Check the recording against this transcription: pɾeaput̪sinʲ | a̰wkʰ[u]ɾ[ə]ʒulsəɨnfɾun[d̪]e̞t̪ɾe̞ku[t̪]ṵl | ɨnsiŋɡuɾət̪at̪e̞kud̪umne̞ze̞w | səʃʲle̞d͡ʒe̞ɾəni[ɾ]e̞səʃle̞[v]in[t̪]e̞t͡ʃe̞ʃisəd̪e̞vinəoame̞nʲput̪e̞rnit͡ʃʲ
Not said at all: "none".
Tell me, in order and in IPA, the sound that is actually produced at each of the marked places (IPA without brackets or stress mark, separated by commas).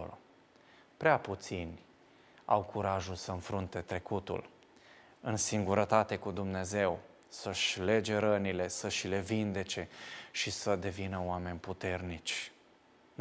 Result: u, a, t̪, t̪, l, v, d̪